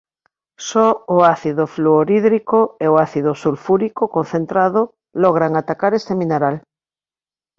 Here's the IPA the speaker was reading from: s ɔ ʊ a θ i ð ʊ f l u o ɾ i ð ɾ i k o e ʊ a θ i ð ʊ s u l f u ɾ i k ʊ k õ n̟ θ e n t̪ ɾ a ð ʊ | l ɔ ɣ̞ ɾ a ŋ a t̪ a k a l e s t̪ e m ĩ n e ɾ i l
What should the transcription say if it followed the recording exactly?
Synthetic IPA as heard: s ɔ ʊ a θ i ð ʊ f l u o ɾ i ð ɾ i k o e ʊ a θ i ð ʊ s u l f u ɾ i k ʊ k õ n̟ θ e n t̪ ɾ a ð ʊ | l ɔ ɣ̞ ɾ a ŋ a t̪ a k a ɾ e s t̪ e m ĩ n e ɾ a l